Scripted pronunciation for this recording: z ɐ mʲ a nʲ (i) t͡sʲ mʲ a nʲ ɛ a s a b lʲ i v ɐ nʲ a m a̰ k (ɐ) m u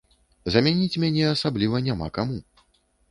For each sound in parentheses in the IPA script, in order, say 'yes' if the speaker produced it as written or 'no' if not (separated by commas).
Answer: yes, no